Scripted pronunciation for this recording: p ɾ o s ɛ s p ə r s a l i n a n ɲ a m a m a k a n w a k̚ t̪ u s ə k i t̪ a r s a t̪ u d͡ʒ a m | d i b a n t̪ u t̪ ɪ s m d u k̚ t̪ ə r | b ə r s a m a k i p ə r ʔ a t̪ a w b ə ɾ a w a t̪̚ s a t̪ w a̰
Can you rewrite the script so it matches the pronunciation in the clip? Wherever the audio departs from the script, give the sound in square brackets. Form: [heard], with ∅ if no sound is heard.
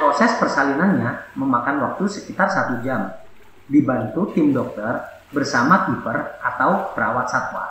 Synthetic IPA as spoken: p ɾ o s ɛ s p ə r s a l i n a n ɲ a m [ə] m a k a n w a k̚ t̪ u s ə k i t̪ a r s a t̪ u d͡ʒ a m | d i b a n t̪ u t̪ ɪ [∅] m d [ɔ] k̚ t̪ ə r | b ə r s a m a k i p ə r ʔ a t̪ a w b ə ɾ a w a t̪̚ s a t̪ w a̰

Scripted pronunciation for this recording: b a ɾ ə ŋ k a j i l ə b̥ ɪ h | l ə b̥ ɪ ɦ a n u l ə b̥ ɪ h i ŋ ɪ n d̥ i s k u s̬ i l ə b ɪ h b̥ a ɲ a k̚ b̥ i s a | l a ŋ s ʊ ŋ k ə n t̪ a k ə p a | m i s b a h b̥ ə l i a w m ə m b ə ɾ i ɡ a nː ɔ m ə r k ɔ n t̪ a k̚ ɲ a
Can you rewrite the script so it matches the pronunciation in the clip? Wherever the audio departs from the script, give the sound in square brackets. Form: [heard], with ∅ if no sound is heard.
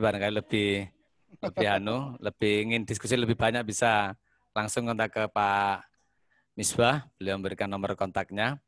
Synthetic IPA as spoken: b a ɾ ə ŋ k a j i l ə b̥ ɪ h | l ə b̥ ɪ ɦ a n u l ə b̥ ɪ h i ŋ ɪ n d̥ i s k u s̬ i l ə b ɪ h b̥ a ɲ a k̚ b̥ i s a | l a ŋ s ʊ ŋ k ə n t̪ a k ə p a | m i s b a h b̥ ə l i a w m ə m b ə ɾ i [k] a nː ɔ m ə r k ɔ n t̪ a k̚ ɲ a

